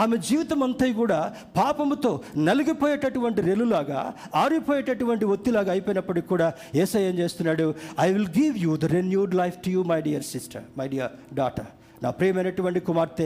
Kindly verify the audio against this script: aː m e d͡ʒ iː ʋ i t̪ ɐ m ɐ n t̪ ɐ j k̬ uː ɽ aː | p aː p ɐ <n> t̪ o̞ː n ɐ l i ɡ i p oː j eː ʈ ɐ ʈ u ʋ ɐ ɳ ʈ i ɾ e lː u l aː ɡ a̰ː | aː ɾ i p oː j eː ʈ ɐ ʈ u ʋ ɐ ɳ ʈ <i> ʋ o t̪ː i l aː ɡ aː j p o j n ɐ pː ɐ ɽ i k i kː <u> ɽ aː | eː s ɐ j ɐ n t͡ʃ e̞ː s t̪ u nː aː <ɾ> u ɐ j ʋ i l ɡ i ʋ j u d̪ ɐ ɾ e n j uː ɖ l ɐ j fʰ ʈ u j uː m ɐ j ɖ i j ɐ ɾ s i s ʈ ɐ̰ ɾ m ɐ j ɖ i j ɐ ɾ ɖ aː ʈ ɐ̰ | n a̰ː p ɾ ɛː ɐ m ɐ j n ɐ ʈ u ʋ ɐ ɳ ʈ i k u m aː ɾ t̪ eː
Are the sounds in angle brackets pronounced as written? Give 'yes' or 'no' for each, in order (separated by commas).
no, yes, no, no